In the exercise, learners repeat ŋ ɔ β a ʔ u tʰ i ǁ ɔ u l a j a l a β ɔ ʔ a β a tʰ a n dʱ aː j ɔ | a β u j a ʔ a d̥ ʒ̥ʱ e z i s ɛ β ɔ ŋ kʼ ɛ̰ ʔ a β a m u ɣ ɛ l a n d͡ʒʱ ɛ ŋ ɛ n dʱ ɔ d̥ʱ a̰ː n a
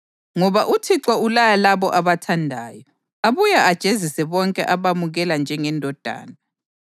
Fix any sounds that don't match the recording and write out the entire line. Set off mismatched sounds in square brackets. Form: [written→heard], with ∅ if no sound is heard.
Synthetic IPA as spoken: ŋ ɔ β a ʔ u tʰ i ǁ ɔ u l a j a l a β ɔ ʔ a β a tʰ a n dʱ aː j ɔ | a β u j a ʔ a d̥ ʒ̥ʱ e z i s ɛ β ɔ ŋ kʼ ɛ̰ ʔ a β a m u ɣ ɛ l a n d͡ʒʱ ɛ ŋ ɛ n dʱ ɔ d̥ʱ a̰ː n a